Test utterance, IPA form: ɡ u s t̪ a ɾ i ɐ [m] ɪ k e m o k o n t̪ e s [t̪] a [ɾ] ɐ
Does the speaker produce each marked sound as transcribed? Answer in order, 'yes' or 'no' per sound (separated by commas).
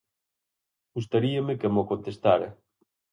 yes, yes, yes